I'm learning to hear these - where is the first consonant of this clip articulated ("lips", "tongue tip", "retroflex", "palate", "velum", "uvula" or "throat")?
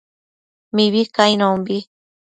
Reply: lips